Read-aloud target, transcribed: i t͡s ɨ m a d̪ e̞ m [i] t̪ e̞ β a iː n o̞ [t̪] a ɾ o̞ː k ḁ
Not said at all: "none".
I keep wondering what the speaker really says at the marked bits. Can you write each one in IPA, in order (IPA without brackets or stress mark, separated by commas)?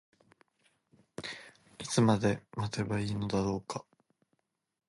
a, d̪